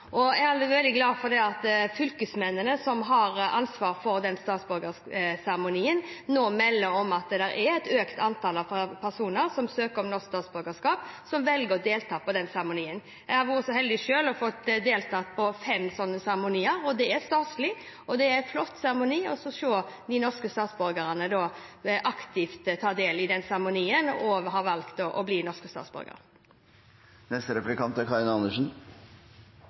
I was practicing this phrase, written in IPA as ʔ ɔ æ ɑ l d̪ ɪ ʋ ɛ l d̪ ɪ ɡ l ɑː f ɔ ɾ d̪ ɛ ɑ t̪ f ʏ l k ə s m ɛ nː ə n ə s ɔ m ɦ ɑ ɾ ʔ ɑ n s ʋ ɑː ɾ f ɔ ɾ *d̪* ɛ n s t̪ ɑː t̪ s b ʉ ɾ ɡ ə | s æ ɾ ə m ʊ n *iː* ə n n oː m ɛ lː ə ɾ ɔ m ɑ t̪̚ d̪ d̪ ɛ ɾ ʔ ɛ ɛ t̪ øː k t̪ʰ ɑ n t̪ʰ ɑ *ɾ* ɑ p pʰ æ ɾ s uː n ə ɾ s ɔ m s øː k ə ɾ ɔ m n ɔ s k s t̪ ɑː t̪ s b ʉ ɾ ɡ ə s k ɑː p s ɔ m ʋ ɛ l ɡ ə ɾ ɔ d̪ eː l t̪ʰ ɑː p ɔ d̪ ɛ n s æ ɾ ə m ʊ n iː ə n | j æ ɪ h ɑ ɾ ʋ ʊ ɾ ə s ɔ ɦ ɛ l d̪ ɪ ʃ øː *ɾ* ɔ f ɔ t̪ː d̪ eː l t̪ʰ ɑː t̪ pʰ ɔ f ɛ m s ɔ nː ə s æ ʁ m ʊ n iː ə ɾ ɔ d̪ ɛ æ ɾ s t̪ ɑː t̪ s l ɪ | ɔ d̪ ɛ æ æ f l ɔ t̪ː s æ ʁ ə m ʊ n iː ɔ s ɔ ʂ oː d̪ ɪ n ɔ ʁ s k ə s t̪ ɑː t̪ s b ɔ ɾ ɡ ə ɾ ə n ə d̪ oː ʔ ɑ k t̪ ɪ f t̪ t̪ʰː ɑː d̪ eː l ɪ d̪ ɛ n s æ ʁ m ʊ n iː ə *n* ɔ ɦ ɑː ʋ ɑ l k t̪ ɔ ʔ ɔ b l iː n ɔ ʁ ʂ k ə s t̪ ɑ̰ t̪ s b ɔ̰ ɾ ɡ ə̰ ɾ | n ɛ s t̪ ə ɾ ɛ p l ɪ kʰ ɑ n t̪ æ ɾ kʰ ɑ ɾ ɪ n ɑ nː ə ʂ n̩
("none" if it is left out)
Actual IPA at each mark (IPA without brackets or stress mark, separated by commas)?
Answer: d̪, iː, l, l, n